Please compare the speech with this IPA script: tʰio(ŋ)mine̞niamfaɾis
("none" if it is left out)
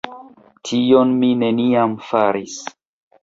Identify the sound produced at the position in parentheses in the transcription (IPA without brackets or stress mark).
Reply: n